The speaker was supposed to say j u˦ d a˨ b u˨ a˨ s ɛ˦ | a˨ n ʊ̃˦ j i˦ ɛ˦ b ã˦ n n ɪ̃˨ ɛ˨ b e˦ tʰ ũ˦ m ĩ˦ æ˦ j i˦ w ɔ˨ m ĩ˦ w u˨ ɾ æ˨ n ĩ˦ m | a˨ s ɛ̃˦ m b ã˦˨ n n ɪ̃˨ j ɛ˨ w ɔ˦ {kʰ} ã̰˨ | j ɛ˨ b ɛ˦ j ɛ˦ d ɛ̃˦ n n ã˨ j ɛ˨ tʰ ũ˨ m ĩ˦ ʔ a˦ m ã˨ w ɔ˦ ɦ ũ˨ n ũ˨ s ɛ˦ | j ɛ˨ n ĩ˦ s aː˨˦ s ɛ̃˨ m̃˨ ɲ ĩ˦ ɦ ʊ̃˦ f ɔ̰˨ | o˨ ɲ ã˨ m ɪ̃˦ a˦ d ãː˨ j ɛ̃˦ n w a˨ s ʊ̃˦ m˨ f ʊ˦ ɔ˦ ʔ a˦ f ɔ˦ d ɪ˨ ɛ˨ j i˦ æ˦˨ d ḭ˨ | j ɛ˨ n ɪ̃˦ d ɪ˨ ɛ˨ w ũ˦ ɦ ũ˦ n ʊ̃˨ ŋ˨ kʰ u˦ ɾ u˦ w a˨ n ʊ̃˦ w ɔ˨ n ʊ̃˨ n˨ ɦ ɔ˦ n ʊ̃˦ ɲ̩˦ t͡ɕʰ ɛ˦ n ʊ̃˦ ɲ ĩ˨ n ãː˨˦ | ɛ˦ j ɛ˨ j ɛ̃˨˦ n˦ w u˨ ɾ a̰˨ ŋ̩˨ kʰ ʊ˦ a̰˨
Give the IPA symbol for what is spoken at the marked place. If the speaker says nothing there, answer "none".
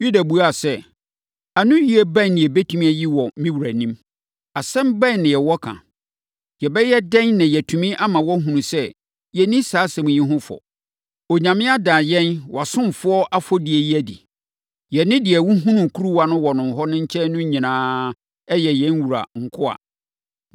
kʰ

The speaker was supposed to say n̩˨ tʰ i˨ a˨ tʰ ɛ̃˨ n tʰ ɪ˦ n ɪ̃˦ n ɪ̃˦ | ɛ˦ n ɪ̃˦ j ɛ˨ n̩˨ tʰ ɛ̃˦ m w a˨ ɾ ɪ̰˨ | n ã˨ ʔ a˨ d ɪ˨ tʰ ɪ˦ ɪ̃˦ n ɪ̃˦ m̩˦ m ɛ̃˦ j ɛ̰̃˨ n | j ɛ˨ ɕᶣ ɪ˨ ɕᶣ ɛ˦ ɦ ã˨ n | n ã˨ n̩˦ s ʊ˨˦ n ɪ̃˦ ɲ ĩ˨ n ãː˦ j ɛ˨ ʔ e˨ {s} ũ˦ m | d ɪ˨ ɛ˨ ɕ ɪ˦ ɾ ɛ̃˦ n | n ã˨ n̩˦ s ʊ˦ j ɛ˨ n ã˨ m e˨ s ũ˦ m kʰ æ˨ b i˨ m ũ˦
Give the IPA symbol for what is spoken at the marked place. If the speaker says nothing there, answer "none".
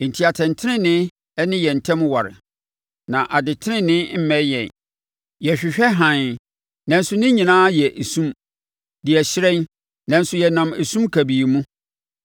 s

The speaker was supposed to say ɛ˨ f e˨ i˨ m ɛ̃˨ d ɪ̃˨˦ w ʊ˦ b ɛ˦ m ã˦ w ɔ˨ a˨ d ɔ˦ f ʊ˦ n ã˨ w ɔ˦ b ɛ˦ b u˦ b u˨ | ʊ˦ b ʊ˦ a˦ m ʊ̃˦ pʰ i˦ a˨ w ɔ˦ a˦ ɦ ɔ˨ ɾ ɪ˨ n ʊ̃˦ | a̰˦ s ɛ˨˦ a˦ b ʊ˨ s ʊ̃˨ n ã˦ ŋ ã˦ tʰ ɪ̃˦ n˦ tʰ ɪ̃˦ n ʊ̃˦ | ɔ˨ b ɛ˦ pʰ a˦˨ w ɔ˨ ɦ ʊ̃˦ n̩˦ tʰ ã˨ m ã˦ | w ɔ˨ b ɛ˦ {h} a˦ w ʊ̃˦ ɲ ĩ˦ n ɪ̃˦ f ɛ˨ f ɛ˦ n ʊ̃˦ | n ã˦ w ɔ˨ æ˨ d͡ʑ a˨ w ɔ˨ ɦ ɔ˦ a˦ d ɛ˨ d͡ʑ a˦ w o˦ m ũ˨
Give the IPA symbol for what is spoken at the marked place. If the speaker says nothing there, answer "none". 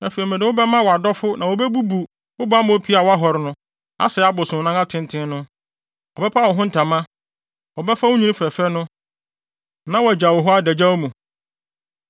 f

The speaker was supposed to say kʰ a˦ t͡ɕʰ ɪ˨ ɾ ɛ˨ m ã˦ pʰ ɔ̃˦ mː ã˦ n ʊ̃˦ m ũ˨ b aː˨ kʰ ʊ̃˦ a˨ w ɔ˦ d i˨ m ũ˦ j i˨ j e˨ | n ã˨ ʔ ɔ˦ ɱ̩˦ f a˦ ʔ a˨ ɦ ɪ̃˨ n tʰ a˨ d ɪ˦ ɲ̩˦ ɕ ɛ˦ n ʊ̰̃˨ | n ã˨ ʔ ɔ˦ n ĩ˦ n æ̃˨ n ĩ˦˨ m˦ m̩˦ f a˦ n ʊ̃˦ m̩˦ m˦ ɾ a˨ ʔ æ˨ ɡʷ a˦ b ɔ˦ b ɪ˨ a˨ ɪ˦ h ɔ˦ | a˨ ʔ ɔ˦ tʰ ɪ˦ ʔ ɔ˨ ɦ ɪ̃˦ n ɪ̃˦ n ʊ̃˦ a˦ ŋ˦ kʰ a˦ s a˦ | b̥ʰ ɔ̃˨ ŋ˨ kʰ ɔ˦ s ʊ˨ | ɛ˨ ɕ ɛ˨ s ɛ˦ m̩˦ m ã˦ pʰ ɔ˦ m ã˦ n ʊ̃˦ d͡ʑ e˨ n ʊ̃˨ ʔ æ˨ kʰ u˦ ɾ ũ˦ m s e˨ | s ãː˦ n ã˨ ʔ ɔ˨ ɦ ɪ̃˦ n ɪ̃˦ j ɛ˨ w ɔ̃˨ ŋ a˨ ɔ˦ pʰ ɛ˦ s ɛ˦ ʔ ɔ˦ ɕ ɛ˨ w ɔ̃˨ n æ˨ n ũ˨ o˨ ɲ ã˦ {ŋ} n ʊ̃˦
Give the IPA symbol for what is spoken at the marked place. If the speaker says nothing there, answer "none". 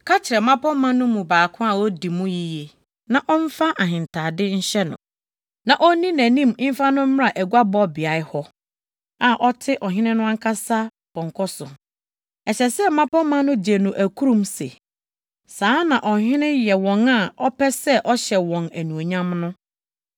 m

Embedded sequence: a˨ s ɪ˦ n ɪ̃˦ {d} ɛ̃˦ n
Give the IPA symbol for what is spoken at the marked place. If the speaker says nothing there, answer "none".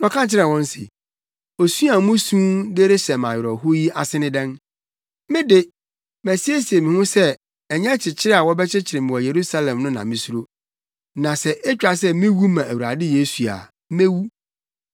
d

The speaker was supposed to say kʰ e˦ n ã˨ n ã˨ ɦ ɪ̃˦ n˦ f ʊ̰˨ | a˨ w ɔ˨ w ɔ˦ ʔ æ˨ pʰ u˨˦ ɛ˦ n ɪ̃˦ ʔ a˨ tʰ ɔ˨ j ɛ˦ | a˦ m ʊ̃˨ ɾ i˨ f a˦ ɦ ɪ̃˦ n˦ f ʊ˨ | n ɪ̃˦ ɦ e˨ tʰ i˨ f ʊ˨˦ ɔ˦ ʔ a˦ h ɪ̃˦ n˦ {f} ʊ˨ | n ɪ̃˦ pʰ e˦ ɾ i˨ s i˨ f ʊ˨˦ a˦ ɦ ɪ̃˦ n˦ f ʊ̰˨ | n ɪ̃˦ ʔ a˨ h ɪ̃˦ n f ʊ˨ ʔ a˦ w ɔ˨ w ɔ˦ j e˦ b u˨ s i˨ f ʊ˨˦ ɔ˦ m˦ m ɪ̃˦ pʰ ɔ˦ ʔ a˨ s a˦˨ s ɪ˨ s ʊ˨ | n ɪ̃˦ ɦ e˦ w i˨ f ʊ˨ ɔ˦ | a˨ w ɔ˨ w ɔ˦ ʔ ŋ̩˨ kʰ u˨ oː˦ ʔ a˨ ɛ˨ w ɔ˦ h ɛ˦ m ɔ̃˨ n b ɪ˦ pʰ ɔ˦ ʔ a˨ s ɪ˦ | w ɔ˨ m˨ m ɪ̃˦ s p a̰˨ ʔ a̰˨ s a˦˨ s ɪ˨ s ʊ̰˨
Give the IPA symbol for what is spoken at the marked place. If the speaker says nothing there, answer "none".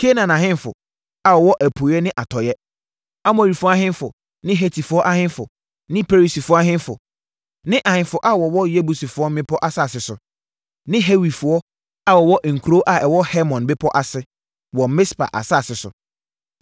f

